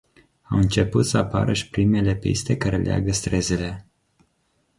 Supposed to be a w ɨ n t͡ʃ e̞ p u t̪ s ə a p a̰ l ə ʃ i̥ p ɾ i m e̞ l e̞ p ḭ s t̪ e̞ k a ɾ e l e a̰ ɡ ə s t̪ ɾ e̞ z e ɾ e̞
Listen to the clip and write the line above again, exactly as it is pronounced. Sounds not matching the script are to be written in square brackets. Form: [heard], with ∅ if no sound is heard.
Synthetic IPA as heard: a w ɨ n t͡ʃ e̞ p u t̪ s ə a p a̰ [ɾ] ə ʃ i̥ p ɾ i m e̞ l e̞ p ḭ s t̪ e̞ k a ɾ e l e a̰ ɡ ə s t̪ ɾ e̞ z e [l] e̞